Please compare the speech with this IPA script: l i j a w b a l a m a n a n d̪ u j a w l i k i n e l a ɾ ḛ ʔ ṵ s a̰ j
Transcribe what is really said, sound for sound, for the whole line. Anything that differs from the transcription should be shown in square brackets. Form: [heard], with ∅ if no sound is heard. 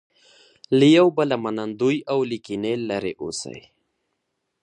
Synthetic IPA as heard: l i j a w b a l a m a n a n d̪ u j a w l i k i n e l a ɾ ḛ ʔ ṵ s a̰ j